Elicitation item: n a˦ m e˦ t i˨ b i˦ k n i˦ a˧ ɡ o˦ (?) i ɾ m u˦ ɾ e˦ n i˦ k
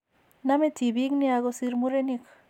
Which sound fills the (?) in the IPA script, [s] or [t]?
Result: s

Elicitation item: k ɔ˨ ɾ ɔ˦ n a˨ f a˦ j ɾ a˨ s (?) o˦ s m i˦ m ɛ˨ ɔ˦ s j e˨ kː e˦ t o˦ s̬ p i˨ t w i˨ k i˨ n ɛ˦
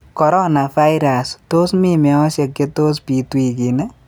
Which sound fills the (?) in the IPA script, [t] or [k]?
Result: t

